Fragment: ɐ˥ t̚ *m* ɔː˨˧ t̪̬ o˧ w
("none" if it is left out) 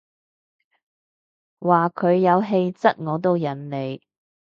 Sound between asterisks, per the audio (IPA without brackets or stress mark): ŋ